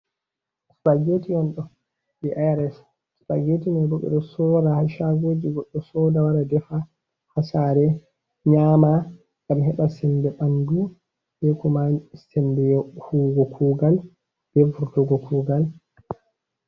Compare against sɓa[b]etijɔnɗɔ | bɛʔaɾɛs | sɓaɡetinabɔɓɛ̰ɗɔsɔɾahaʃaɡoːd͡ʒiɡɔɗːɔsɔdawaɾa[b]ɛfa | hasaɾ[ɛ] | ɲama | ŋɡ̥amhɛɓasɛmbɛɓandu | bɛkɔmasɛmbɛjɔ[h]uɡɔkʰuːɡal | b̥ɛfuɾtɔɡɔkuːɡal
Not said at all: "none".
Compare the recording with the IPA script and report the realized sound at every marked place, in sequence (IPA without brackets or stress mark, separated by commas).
ɡ, d, ɛ, h